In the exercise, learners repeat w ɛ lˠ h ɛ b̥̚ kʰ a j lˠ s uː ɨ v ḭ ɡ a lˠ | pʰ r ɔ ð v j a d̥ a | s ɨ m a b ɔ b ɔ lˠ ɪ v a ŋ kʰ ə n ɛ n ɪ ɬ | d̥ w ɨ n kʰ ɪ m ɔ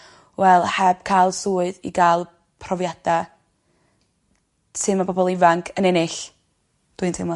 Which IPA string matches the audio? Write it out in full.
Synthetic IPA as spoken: w ɛ lˠ h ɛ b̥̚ kʰ a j lˠ s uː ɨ ð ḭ ɡ a lˠ | pʰ r ɔ v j a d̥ a | s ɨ m a b ɔ b ɔ lˠ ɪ v a ŋ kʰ ə n ɛ n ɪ ɬ | d̥ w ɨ n tʰ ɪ m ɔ